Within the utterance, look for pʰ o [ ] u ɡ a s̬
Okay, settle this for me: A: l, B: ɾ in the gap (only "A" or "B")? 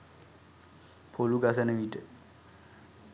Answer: A